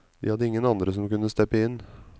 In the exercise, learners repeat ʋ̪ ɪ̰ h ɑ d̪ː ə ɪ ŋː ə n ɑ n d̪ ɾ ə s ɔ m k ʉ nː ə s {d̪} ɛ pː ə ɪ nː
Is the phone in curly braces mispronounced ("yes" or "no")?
yes